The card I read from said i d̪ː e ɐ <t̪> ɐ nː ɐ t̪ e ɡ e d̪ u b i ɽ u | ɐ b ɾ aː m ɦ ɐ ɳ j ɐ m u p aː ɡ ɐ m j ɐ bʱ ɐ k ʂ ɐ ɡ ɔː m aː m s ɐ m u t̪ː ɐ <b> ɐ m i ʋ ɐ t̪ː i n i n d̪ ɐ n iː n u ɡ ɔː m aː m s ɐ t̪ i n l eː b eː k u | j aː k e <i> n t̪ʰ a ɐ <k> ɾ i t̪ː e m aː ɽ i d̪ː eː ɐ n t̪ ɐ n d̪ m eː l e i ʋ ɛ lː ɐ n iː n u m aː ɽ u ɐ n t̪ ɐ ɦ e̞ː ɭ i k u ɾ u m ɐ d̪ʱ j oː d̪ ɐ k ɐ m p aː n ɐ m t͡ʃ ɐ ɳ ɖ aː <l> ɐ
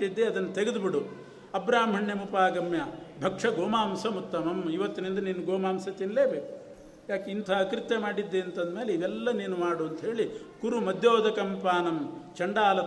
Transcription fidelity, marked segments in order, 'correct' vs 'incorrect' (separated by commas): incorrect, incorrect, correct, correct, correct